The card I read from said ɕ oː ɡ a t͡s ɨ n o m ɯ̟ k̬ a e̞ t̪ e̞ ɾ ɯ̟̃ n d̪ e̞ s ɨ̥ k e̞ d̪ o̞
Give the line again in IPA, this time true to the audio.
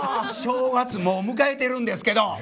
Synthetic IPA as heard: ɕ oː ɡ a t͡s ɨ m o m ɯ̟ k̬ a e̞ t̪ e̞ ɾ ɯ̟̃ n d̪ e̞ s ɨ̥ k e̞ d̪ o̞